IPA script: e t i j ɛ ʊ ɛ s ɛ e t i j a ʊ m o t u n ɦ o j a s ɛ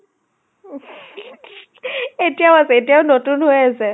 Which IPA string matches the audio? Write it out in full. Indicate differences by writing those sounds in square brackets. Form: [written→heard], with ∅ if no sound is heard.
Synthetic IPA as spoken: e t i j [ɛ→a] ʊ [ɛ→a] s ɛ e t i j a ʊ [m→n] o t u n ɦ o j a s ɛ